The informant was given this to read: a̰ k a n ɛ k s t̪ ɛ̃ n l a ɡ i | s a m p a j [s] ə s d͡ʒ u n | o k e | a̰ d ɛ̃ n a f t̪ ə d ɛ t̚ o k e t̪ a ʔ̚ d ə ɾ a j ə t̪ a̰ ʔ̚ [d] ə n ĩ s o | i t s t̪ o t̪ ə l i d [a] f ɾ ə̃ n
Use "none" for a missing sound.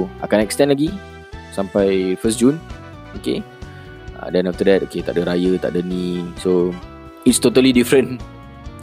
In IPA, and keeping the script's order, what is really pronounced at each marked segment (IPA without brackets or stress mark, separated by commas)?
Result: f, d, i